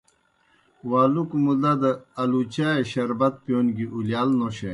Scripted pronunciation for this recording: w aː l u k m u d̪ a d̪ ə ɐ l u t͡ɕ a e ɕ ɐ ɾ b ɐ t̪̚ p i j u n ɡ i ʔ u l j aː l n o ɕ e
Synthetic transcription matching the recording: w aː l u k m u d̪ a d̪ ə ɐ l u t͡ɕ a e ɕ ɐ ɾ b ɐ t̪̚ p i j o n ɡ i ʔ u l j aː l n o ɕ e

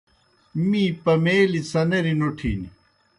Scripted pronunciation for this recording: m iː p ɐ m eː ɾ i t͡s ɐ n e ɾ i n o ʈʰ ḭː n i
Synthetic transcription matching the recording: m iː p ɐ m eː l i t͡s ɐ n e ɾ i n o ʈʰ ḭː n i

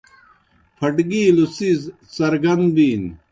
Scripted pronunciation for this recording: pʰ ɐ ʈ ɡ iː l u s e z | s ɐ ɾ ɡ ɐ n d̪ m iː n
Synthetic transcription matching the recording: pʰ ɐ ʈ ɡ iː l u s i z | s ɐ ɾ ɡ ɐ n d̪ b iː n

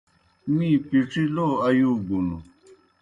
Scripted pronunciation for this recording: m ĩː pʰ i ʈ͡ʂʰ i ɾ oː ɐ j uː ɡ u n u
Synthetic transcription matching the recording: m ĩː p i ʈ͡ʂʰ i l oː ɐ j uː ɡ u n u

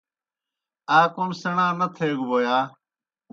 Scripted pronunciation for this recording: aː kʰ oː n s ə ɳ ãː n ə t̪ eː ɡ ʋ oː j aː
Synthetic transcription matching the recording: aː k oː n s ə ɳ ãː n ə t̪ʰ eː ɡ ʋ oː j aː

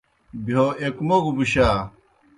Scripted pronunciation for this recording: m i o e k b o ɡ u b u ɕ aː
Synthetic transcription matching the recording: b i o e k m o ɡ u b u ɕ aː

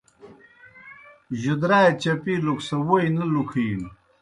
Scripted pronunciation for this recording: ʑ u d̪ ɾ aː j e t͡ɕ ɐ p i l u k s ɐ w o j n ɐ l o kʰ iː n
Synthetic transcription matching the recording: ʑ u d̪ ɾ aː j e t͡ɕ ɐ p i l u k s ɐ w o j n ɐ l u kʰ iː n

